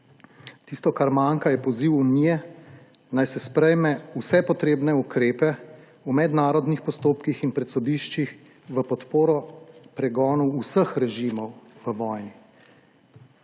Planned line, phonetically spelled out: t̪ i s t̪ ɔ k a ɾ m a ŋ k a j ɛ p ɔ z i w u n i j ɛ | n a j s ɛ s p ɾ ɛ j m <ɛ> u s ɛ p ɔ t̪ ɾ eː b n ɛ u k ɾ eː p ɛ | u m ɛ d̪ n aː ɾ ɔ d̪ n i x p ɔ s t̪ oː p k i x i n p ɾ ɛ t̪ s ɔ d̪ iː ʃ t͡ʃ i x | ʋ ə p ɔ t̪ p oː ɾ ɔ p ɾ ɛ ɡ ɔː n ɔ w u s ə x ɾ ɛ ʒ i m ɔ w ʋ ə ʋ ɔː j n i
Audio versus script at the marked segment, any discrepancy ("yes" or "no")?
no